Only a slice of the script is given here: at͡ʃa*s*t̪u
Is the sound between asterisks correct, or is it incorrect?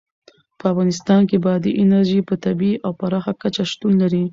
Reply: incorrect